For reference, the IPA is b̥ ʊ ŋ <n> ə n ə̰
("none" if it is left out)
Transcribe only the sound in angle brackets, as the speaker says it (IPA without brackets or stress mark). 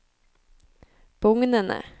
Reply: n